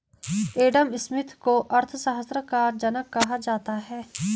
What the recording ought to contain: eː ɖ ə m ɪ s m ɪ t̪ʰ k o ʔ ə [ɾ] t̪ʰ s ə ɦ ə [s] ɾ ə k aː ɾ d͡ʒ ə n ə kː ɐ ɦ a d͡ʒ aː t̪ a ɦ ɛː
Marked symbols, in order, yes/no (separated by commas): yes, yes